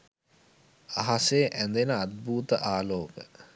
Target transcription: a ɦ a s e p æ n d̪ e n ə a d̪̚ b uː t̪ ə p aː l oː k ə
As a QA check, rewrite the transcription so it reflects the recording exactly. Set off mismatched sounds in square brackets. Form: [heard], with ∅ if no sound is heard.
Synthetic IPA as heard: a ɦ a s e [ʔ] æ n d̪ e n ə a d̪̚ b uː t̪ ə [ʔ] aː l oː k ə